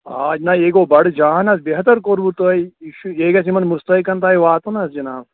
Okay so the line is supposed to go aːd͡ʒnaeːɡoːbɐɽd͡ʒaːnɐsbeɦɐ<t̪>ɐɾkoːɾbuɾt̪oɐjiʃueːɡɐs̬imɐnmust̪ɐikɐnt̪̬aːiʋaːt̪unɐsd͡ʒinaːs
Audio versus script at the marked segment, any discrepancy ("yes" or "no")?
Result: no